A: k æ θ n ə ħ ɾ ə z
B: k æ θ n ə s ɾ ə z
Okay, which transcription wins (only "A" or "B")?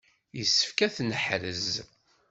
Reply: A